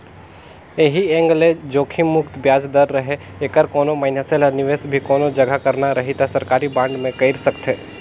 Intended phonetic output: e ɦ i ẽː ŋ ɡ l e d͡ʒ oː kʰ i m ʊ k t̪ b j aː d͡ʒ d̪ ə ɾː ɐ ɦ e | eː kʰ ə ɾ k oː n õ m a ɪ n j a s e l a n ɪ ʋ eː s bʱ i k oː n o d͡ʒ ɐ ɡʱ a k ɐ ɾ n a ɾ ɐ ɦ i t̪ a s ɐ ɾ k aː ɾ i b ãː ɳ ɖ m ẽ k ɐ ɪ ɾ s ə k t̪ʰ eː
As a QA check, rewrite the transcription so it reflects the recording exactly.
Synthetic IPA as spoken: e ɦ i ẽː ŋ ɡ l e d͡ʒ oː kʰ i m ʊ k t̪ b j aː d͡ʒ d̪ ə ɾː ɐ ɦ e | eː k ə ɾ k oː n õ m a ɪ n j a s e l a n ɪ ʋ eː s bʱ i k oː n o d͡ʒ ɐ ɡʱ a k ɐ ɾ n a ɾ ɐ ɦ i t̪ a s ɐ ɾ k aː ɾ i b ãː ɳ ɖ m ẽ k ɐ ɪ ɾ s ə k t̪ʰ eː